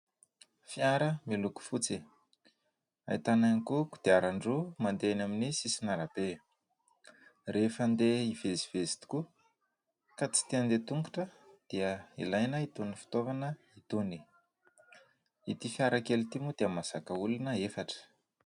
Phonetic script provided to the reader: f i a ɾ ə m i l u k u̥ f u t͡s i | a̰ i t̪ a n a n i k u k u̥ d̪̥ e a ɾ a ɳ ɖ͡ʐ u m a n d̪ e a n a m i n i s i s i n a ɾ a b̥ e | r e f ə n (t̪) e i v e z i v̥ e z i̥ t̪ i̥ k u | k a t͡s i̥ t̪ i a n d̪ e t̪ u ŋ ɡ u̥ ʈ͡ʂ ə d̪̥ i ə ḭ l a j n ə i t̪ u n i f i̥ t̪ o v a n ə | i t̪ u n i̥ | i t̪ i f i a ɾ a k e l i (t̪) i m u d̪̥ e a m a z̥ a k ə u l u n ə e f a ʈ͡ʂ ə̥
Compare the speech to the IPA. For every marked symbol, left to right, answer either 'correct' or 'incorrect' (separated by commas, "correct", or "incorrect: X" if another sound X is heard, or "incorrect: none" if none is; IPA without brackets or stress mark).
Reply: incorrect: d̪, correct